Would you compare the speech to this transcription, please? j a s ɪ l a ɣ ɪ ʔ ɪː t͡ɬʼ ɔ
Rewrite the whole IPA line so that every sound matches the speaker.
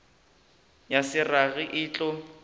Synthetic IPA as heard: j a s ɪ r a ɣ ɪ ʔ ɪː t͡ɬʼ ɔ